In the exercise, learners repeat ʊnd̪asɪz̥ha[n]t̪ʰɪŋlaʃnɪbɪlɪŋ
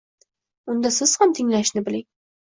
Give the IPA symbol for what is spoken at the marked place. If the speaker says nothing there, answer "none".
m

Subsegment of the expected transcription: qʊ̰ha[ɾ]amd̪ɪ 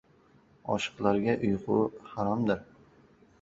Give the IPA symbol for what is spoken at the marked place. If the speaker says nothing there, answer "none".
ɾ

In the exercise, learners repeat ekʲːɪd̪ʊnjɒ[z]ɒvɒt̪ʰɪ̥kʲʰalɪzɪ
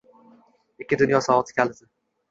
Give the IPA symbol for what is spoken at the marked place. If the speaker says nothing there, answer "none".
s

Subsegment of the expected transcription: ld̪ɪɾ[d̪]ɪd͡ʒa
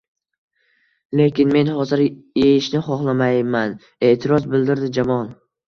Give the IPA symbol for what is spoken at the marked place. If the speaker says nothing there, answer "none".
d̪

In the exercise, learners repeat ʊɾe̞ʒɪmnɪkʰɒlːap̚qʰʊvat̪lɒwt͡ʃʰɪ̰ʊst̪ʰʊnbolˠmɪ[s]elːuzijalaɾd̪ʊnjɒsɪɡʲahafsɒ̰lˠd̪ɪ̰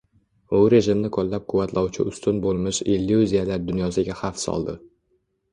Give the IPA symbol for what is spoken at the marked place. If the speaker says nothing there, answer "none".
ʃ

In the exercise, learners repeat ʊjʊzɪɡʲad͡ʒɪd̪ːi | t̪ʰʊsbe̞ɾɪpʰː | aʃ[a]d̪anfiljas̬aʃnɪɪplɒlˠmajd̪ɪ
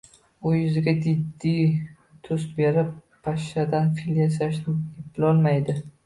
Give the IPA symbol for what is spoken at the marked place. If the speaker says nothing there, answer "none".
a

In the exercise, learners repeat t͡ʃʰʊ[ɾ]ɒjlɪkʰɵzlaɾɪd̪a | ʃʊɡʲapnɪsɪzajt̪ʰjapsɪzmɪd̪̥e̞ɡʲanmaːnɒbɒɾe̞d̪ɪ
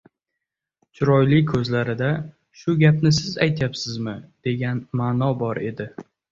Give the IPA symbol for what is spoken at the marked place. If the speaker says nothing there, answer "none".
ɾ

